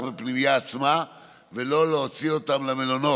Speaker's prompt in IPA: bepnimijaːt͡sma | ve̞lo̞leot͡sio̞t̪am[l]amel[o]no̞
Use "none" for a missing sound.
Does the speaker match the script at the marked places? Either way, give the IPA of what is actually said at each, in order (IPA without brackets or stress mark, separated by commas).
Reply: l, o